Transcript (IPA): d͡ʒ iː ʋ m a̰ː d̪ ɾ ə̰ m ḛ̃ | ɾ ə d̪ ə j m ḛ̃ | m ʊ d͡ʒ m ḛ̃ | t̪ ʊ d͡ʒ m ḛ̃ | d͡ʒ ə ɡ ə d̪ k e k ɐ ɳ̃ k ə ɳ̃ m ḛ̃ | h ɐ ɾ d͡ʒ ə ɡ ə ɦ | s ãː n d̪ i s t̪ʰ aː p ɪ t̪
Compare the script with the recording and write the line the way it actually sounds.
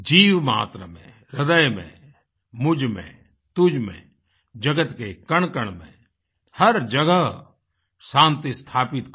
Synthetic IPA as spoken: d͡ʒ iː ʋ m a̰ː t̪ ɾ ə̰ m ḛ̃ | ɾ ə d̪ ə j m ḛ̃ | m ʊ d͡ʒ m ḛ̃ | t̪ ʊ d͡ʒ m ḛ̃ | d͡ʒ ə ɡ ə t̪ k e k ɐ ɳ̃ k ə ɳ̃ m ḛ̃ | h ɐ ɾ d͡ʒ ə ɡ ə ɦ | s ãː n t̪ i s t̪ʰ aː p ɪ t̪